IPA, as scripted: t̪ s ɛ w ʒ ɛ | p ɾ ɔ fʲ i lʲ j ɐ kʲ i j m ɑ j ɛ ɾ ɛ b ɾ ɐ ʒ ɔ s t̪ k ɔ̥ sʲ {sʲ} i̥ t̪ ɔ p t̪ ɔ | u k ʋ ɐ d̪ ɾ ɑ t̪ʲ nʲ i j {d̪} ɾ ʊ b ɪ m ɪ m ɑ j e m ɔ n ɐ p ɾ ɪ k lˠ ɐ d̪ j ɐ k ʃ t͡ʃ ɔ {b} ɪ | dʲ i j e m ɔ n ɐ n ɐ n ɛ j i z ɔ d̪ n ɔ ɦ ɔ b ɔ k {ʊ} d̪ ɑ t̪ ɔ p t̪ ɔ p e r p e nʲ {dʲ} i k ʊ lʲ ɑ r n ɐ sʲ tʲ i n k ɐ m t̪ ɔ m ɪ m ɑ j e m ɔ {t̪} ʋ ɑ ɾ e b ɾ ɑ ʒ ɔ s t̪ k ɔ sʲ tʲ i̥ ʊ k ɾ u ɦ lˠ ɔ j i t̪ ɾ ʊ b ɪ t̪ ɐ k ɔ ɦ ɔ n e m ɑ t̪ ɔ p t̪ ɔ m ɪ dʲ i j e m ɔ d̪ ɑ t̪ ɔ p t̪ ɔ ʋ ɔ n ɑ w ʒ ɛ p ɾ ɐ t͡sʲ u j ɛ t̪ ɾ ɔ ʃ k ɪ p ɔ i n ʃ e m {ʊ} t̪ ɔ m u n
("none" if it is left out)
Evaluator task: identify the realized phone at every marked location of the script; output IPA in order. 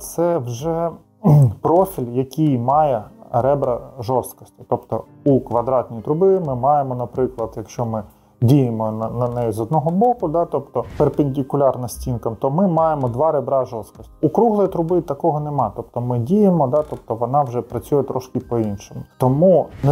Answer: tʲ, t̪, m, ʊ, dʲ, d̪, ʊ

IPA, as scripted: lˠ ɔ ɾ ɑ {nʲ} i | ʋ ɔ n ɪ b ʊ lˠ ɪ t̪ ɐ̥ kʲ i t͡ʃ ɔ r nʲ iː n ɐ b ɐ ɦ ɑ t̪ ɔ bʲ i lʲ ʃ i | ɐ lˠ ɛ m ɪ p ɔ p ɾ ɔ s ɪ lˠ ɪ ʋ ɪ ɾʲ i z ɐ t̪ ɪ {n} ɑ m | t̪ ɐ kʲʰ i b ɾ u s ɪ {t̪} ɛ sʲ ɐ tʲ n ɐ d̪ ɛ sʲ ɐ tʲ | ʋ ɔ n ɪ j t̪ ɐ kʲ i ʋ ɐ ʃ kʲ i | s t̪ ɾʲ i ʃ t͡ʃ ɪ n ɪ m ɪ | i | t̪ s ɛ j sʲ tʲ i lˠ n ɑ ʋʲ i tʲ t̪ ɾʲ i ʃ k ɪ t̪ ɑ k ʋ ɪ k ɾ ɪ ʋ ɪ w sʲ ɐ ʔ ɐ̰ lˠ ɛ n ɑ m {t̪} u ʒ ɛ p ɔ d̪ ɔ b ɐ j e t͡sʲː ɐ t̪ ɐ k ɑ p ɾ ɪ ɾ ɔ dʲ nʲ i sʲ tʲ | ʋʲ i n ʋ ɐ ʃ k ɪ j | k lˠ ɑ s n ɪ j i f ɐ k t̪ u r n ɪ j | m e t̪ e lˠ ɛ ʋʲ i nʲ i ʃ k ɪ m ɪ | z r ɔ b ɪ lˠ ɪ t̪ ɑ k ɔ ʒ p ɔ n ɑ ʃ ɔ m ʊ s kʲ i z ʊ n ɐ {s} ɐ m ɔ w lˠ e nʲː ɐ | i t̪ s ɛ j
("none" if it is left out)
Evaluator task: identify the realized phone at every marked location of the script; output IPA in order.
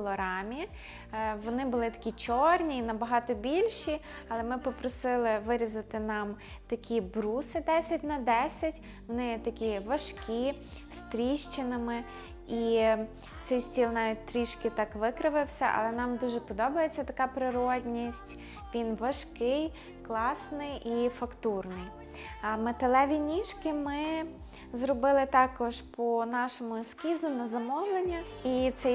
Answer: mʲ, n, d̪, d̪, z

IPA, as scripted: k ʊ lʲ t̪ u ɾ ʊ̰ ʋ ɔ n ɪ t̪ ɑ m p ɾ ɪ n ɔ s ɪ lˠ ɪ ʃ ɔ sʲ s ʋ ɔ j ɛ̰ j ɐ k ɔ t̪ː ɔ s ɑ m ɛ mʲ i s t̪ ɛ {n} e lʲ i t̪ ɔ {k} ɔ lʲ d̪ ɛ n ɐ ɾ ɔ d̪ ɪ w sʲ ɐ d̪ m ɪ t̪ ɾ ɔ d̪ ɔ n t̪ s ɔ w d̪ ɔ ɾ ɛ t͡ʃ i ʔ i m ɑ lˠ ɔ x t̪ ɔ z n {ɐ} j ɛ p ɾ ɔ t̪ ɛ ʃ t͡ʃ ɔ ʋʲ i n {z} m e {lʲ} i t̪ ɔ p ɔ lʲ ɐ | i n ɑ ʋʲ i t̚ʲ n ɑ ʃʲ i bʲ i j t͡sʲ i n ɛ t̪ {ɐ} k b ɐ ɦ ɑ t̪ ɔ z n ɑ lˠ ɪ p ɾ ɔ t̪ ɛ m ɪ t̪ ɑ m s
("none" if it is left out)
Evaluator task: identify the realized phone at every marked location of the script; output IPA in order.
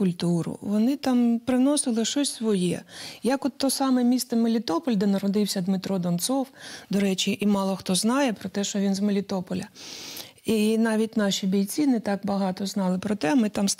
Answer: m, p, ɑ, z, lʲ, ɑ

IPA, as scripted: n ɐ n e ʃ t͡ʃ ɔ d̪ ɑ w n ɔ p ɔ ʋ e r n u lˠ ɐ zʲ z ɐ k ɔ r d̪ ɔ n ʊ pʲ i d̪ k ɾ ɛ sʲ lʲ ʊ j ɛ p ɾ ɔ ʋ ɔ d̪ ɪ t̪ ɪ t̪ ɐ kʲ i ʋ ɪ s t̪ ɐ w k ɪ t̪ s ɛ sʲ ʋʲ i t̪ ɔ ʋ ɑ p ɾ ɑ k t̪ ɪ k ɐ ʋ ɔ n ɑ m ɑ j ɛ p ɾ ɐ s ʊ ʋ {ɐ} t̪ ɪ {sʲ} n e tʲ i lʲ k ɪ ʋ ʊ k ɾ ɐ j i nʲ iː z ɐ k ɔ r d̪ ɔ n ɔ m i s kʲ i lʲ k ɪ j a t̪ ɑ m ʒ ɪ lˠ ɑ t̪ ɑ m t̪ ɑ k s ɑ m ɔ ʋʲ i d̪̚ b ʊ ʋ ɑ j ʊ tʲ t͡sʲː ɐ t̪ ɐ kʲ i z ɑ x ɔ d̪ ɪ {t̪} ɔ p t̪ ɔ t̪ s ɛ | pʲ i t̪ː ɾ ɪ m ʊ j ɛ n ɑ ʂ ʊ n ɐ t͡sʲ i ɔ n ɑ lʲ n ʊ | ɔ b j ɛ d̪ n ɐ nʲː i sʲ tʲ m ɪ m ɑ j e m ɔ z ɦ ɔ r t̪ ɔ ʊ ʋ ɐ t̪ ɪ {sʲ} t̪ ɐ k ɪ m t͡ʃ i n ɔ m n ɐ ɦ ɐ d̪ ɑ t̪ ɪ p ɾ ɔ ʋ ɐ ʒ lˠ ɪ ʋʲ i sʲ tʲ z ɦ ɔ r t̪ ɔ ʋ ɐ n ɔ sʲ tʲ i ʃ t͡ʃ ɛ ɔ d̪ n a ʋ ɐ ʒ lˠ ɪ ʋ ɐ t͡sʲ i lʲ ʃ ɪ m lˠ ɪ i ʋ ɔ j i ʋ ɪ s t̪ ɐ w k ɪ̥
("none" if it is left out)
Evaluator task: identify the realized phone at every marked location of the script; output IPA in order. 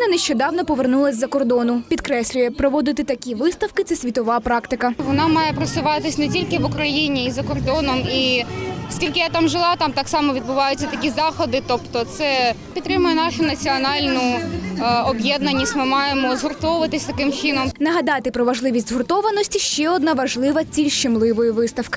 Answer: ɑ, sʲ, t̪, sʲ

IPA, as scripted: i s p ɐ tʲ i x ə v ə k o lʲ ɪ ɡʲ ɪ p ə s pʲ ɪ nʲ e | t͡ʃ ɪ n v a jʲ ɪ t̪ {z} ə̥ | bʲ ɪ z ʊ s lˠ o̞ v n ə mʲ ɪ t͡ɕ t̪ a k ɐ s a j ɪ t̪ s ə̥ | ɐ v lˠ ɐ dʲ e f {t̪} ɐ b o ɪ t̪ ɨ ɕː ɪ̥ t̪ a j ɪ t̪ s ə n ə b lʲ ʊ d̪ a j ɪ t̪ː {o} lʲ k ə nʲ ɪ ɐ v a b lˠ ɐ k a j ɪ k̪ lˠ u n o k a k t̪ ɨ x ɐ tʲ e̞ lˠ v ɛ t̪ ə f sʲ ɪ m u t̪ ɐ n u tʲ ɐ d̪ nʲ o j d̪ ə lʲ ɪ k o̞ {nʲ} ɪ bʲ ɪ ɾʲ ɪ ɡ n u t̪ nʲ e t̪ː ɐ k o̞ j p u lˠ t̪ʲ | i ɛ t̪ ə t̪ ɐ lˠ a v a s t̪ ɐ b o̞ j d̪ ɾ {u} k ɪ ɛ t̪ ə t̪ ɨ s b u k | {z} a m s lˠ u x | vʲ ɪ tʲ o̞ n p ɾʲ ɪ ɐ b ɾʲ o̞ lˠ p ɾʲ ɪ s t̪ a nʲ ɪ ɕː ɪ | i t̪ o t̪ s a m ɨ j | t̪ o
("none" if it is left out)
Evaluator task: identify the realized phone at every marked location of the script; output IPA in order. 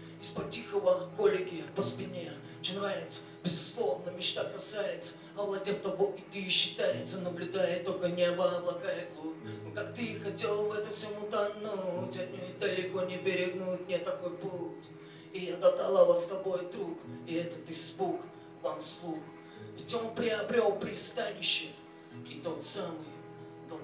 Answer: s, t̪, o, nʲ, u, v

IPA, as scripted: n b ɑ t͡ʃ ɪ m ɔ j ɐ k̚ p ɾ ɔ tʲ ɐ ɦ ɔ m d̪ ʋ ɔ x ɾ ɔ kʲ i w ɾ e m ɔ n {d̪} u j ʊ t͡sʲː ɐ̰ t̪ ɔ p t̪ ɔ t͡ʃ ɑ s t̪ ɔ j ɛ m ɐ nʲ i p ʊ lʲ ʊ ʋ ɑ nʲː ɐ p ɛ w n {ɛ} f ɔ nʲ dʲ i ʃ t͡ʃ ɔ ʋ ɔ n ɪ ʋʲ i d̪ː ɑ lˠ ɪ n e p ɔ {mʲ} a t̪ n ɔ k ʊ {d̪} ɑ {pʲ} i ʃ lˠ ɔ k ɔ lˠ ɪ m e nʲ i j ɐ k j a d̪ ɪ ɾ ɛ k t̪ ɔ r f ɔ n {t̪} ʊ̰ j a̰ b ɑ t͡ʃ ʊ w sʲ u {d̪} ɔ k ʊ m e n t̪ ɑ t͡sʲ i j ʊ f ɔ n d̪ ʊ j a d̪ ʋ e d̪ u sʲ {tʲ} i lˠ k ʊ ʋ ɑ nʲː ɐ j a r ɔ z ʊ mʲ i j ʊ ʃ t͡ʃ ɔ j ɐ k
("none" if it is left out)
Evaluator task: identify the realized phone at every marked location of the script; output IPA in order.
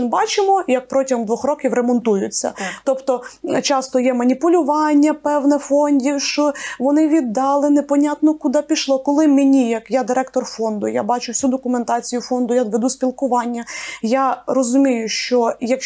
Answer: t̪, ɛ, nʲ, d̪, pʲ, d̪, d̪, pʲ

